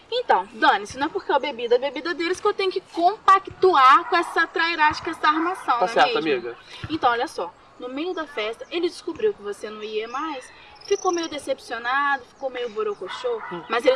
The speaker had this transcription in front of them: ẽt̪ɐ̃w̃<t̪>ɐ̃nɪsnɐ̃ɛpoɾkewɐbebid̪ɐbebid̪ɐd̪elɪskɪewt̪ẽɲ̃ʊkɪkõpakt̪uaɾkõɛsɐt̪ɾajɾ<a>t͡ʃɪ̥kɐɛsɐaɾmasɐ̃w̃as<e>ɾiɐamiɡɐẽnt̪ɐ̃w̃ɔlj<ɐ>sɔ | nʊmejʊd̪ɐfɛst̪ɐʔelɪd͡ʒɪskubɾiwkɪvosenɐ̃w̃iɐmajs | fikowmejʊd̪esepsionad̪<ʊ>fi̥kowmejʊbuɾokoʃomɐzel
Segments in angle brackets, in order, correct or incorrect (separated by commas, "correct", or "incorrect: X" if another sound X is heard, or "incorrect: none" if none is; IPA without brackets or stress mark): incorrect: d̪, correct, incorrect: ɛ, correct, correct